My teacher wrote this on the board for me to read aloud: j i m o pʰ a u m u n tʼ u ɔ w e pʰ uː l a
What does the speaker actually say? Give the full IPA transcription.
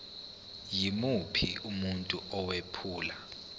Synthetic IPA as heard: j i m u pʰ i u m u n tʼ u ɔ w e pʰ uː l a